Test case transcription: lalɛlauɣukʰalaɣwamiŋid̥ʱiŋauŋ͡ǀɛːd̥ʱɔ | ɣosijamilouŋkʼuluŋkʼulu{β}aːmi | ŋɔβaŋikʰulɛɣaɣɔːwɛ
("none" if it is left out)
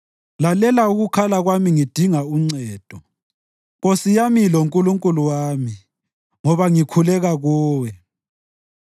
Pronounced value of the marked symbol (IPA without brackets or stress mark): w